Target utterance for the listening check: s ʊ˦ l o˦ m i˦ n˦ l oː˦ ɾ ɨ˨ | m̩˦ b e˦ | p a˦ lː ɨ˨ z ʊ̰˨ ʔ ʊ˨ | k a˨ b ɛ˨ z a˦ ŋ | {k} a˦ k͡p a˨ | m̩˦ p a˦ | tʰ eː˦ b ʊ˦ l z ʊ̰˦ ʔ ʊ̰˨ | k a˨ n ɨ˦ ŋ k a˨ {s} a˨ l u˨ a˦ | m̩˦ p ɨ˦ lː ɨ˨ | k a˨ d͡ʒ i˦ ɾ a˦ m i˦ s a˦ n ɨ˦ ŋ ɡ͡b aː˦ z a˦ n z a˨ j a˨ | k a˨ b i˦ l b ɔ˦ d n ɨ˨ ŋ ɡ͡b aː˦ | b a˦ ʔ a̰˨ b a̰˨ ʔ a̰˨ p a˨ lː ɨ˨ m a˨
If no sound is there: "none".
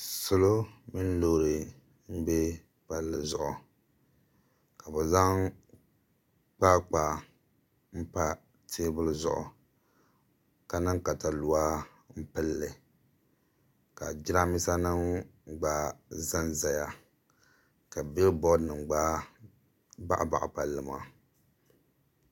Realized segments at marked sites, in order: k͡p, t

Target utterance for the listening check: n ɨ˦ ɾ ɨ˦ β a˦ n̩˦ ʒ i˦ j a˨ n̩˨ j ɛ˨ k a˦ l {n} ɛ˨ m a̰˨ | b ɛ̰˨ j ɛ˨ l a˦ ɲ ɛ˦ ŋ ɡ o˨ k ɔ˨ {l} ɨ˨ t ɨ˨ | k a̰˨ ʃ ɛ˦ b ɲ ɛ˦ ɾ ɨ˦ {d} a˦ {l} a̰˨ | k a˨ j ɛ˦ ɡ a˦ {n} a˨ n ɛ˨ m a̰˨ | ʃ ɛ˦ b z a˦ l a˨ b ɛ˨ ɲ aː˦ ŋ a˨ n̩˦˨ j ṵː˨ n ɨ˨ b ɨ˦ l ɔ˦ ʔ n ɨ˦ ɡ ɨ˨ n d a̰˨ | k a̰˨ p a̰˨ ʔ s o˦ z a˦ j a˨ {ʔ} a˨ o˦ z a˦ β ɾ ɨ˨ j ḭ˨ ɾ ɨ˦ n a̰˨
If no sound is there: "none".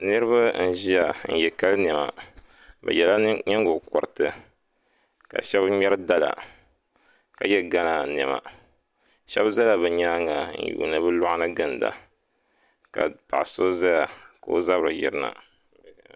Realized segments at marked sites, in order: n, ɾ, d, l, n, k

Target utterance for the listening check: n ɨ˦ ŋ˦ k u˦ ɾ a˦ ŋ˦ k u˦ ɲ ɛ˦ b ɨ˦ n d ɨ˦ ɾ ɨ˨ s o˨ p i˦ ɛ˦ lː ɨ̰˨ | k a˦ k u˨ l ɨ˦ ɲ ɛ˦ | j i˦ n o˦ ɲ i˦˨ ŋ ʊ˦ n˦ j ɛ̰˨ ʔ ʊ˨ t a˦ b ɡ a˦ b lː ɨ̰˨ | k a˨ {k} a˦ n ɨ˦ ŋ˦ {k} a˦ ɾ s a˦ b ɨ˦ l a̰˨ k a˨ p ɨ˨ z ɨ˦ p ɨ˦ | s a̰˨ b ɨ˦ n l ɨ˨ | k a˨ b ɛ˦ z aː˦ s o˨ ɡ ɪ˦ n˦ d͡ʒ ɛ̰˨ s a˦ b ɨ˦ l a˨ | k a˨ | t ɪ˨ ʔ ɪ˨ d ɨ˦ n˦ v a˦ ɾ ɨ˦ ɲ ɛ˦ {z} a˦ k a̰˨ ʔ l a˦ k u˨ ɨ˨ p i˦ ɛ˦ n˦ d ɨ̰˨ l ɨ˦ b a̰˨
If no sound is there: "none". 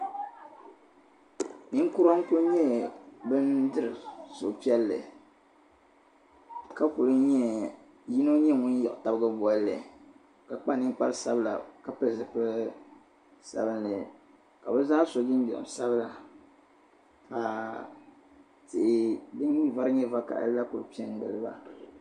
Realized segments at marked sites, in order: k͡p, k͡p, v

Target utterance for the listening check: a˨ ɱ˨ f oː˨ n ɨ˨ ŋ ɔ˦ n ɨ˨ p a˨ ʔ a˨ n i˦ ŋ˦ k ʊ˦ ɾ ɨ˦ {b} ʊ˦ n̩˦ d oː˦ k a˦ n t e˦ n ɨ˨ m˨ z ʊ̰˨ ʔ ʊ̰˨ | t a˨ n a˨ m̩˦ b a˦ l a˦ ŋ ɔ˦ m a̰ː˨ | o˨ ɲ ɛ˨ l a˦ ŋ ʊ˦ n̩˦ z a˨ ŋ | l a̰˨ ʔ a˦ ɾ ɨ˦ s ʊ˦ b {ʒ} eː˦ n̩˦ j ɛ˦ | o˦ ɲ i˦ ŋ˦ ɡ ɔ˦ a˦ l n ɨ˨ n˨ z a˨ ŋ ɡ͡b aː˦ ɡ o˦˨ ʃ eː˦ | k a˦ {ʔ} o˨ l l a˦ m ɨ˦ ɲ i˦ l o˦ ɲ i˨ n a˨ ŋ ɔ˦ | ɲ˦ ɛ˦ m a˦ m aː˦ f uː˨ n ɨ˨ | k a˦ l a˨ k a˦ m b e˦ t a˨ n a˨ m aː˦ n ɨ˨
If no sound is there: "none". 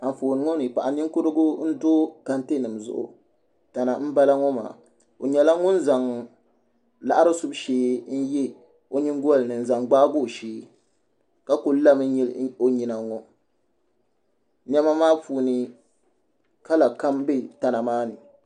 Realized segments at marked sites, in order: ɡ, ʃ, k

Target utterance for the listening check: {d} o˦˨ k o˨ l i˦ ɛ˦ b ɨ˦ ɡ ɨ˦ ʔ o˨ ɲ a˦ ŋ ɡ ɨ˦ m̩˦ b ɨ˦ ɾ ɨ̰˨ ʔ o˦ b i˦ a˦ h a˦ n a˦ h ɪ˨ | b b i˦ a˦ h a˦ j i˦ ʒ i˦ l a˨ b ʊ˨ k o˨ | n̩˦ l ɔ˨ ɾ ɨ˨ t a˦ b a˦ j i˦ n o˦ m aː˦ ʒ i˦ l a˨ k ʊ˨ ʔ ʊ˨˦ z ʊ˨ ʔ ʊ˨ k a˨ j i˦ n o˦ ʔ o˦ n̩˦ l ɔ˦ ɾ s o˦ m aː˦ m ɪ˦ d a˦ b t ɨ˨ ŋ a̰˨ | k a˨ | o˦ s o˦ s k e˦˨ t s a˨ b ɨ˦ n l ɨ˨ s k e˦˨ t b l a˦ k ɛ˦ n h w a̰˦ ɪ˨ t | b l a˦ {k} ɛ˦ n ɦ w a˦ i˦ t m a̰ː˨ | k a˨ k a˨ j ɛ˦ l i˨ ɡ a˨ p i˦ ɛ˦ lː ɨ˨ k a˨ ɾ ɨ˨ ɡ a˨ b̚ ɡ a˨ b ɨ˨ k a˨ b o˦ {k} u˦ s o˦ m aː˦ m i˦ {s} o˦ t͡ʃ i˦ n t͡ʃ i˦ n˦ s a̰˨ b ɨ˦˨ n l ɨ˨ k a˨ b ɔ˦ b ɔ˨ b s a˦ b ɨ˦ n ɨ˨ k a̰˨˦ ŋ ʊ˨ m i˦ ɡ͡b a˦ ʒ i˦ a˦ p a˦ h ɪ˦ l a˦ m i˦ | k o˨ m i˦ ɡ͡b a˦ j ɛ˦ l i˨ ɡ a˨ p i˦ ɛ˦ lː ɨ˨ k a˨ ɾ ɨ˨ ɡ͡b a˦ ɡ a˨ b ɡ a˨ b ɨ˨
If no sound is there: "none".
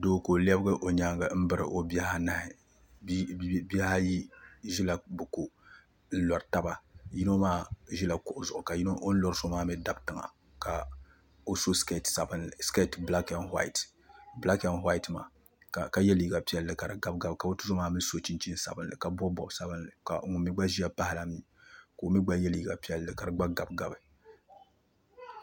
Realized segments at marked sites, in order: d, k, t, s

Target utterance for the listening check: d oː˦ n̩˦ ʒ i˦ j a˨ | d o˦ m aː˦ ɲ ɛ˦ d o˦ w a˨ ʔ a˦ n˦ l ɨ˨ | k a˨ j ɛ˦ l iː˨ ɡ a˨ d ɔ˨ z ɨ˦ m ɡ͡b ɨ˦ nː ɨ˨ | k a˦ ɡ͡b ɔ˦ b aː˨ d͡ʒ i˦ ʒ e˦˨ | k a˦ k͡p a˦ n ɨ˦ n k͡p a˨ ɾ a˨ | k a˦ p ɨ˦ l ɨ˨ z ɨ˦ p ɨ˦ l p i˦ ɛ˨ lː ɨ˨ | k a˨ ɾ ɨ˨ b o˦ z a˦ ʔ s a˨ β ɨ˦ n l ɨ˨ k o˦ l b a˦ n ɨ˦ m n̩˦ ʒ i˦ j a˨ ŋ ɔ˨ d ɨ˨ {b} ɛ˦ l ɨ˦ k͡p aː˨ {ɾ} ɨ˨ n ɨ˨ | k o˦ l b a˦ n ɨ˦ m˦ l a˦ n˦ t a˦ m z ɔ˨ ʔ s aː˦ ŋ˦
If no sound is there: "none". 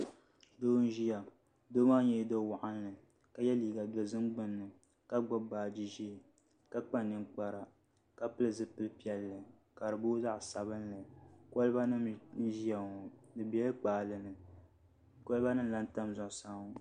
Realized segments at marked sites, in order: b, l

